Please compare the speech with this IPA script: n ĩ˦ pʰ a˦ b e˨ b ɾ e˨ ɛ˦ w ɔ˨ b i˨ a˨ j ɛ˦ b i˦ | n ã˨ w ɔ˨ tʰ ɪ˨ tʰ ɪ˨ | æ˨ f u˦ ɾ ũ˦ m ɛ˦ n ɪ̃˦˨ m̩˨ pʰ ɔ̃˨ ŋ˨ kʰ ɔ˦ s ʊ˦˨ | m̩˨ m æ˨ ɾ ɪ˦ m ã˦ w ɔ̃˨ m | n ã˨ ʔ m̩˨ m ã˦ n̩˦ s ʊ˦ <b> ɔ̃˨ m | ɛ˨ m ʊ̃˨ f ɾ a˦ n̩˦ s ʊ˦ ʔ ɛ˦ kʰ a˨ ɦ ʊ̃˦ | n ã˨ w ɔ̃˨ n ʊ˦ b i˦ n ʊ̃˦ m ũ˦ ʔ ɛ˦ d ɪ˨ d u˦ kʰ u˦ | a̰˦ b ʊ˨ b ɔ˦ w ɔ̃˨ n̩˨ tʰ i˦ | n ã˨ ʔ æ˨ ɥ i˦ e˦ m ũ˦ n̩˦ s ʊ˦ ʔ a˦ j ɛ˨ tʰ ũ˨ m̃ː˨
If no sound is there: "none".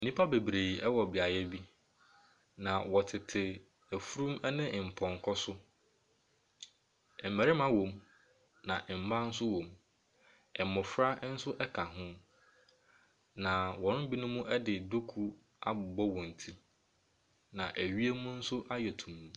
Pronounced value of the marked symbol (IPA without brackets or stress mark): w